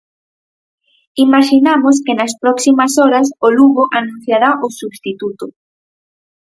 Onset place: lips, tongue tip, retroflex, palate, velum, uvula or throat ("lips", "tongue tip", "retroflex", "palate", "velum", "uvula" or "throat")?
lips